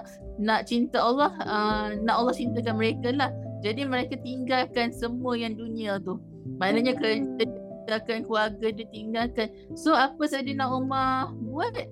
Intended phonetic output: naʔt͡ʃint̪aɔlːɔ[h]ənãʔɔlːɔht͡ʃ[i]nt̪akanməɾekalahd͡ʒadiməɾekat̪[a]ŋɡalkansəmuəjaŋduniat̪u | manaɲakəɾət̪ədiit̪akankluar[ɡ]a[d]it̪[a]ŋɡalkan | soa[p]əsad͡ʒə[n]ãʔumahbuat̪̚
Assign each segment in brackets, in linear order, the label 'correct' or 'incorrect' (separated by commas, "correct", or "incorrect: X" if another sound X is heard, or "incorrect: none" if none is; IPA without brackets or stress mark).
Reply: correct, correct, incorrect: i, correct, correct, incorrect: i, correct, correct